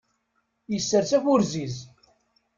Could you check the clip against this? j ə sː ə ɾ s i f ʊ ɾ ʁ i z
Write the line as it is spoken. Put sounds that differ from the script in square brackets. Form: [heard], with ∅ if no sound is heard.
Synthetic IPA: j ə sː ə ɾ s [æ] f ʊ ɾ [z] i z

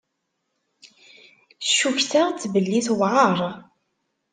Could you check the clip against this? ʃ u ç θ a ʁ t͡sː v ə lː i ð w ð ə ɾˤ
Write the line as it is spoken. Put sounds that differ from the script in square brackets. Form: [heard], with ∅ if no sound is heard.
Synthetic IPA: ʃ u ç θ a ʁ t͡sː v ə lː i [θ] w [ʕ] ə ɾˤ

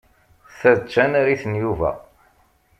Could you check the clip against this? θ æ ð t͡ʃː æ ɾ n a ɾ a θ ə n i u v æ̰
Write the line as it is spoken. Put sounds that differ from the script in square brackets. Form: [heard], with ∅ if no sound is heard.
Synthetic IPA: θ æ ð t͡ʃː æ [∅] n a ɾ [i] θ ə n [j] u v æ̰

